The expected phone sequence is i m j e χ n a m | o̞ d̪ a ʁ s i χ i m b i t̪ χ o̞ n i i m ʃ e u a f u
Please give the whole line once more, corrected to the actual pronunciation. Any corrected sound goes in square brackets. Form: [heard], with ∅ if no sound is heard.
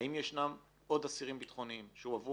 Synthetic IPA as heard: i m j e [ʃ] n a m | o̞ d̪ a [∅] s i [ʁ] i m b i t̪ χ o̞ n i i m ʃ e u a [v] u